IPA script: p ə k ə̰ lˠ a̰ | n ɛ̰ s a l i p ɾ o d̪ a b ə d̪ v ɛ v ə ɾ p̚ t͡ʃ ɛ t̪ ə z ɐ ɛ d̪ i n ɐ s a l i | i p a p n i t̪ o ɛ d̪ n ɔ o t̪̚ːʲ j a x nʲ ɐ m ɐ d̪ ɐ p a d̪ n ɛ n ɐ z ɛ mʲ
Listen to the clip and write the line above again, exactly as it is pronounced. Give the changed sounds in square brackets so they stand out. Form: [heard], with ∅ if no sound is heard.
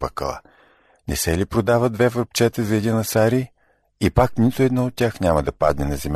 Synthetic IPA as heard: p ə k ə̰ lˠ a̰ | n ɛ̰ s [ɛ] l i p ɾ o d̪ a [v] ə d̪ v ɛ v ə ɾ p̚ t͡ʃ ɛ t̪ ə z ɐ ɛ d̪ i n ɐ s a [ɾ] i | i p a [k] n i t̪ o ɛ d̪ n ɔ o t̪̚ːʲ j a x nʲ [a] m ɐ d̪ ɐ p a d̪ n ɛ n ɐ z ɛ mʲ